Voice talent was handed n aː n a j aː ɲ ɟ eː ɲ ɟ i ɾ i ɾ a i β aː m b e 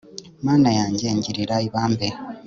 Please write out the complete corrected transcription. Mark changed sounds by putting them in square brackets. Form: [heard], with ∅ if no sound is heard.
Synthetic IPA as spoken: [m] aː n a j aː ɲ ɟ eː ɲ ɟ i ɾ i ɾ a i β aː m b e

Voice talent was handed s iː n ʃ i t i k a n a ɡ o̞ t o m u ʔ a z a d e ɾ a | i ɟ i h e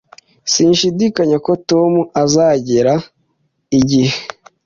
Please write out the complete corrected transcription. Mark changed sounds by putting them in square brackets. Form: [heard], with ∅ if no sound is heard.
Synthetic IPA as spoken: s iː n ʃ i [d] i k a [ɲ] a [k] o̞ t o m u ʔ a z a [ɟ] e ɾ a | i ɟ i h e

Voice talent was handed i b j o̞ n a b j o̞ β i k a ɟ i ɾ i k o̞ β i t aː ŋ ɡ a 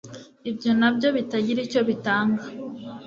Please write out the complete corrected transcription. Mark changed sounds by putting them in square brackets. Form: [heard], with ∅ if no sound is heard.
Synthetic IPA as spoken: i b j o̞ n a b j o̞ β i [t] a ɟ i ɾ i [c] o̞ β i t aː ŋ ɡ a

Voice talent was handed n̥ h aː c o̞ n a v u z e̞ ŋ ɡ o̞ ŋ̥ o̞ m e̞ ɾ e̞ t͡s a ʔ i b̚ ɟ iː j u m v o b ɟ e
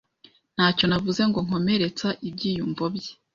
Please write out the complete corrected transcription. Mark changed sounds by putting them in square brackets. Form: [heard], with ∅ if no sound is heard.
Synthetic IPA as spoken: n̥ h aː c o̞ n a v u z e̞ ŋ ɡ o̞ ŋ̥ o̞ m e̞ ɾ e̞ t͡s a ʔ i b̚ ɟ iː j u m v o b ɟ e

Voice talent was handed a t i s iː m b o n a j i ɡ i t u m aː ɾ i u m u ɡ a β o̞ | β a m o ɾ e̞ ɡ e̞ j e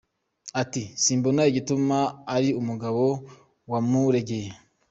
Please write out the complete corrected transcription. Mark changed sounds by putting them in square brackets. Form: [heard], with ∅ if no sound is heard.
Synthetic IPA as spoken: a t i s iː m b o n a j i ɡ i t u m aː ɾ i u m u ɡ a β o̞ | [w] a m [u] ɾ e̞ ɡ e̞ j e

